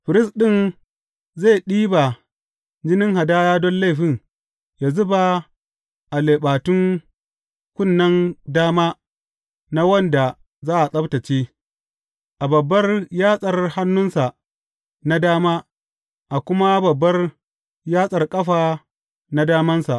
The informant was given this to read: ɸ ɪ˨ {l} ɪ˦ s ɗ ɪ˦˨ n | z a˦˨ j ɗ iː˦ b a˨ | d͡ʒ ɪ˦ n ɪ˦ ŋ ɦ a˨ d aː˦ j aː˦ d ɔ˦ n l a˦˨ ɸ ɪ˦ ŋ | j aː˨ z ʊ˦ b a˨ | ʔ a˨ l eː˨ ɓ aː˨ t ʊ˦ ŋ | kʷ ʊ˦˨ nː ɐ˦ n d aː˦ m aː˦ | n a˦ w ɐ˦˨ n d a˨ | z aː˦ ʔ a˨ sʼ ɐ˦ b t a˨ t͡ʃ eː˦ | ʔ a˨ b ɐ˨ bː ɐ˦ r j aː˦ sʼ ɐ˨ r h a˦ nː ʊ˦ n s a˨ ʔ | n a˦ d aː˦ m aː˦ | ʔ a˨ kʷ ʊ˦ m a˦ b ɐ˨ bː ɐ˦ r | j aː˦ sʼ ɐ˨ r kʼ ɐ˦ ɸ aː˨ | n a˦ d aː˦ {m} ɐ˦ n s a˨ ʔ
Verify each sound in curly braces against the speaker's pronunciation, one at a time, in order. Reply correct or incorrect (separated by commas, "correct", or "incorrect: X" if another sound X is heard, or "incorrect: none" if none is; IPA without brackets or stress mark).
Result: incorrect: ɾ, correct